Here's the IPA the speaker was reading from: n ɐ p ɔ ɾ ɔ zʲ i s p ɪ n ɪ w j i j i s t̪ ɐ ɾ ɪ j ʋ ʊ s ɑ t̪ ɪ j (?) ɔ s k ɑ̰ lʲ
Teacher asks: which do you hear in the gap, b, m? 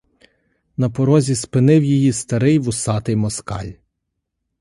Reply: m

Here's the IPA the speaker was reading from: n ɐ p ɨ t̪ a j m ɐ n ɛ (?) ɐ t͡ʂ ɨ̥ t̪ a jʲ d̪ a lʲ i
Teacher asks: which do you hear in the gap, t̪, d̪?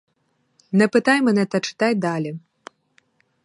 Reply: t̪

